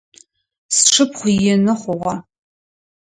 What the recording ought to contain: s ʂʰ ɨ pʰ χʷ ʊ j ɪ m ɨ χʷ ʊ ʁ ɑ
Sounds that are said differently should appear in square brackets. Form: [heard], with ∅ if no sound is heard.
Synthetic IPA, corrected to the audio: s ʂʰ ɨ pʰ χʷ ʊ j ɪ [n] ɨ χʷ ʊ ʁ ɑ